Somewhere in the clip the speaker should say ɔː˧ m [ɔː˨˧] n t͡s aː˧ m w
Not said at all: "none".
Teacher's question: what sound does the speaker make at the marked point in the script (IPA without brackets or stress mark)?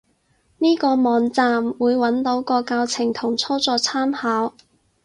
ɔː˨˧